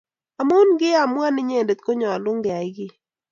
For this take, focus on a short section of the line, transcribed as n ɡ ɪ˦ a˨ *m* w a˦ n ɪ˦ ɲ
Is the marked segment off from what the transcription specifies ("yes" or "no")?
no